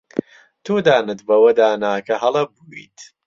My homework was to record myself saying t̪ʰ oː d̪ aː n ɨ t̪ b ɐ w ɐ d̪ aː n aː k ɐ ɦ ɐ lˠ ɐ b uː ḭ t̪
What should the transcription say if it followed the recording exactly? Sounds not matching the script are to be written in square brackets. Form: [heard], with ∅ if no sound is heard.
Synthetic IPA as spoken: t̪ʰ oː d̪ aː n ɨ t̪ b ɐ w ɐ d̪ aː n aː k ɐ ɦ ɐ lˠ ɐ b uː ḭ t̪